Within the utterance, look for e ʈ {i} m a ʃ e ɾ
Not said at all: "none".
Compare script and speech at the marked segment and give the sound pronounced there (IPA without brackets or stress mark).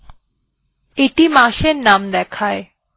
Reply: i